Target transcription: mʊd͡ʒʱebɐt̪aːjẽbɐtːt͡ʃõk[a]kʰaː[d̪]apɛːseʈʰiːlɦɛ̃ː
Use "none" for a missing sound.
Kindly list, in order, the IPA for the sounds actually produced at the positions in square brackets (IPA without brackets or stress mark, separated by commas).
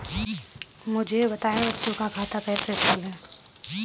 a, t̪